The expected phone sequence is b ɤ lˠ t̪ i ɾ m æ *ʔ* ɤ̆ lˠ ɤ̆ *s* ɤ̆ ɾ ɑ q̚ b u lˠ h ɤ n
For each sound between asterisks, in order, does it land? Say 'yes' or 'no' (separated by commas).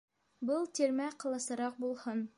no, yes